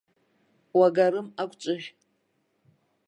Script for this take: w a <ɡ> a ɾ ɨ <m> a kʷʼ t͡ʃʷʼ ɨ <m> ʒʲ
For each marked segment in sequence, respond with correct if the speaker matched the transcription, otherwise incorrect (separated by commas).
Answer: correct, correct, incorrect